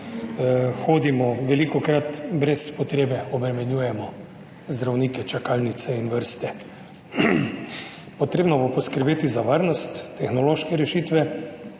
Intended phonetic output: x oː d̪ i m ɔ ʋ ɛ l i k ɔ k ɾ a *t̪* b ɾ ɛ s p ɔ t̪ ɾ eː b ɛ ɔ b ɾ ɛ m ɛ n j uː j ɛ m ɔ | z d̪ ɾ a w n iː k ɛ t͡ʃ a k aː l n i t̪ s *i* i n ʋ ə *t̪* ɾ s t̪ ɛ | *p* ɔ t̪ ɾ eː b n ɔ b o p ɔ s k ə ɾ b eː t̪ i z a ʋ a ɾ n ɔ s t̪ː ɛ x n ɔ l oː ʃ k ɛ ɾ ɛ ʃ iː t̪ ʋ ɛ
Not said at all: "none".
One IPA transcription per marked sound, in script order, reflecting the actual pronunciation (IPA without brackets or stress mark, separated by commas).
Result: t̪, ɛ, none, p